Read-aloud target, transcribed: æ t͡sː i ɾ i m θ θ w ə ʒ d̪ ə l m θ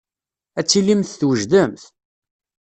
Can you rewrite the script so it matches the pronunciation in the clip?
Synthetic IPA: æ t͡sː i l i m θ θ w ə ʒ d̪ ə m θ